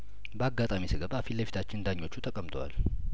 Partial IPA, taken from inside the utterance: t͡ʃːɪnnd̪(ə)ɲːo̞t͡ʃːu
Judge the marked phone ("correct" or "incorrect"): incorrect